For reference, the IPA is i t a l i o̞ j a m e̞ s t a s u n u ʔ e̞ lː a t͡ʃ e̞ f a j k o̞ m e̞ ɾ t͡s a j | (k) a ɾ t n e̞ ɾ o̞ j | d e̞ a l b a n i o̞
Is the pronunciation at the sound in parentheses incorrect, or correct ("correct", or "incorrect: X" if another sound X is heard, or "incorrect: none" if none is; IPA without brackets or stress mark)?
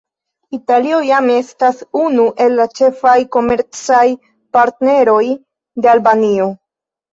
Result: incorrect: p